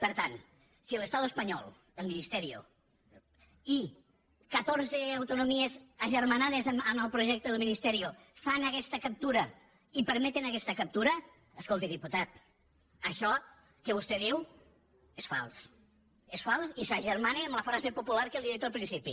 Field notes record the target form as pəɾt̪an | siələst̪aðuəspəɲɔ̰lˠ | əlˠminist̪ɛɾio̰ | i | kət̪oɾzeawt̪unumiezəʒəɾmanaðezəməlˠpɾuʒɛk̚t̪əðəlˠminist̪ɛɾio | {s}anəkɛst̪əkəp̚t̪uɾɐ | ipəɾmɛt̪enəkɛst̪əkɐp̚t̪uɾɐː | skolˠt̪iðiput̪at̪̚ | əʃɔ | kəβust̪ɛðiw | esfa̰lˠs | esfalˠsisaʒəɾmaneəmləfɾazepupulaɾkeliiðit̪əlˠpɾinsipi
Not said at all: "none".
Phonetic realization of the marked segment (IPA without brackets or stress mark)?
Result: f